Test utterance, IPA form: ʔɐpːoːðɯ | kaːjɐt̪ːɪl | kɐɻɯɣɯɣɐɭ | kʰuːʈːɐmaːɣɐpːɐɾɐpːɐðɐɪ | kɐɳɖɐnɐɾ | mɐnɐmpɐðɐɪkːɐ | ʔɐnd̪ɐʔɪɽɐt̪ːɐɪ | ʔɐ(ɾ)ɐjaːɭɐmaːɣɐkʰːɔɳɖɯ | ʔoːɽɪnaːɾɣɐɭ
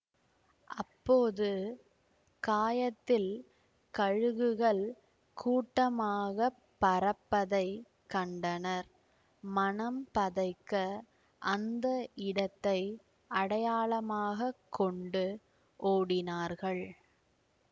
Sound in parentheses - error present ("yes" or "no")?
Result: yes